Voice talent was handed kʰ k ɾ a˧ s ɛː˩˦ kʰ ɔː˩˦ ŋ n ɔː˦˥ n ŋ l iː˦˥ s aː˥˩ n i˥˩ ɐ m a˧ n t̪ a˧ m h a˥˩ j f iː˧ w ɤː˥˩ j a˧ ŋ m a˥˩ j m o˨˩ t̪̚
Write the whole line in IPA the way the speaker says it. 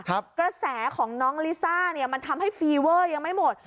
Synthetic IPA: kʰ k ɾ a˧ s ɛː˩˦ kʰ ɔː˩˦ ŋ n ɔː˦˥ ŋ l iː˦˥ s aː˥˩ n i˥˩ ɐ m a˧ n t̪ʰ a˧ m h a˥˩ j f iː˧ w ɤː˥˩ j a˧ ŋ m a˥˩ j m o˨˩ t̪̚